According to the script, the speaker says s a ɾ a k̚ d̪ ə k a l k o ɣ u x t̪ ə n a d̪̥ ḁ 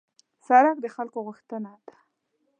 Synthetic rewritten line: s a ɾ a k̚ d̪ ə x a l k o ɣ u x t̪ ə n a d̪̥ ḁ